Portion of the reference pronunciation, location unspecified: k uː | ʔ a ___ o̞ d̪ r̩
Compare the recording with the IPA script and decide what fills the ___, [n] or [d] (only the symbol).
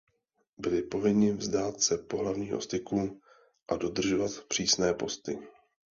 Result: d